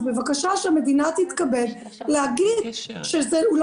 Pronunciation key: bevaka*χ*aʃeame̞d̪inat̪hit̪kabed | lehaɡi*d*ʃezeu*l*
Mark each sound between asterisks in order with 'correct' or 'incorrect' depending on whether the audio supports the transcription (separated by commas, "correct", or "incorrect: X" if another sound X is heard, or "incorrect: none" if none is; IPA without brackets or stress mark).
incorrect: ʃ, correct, correct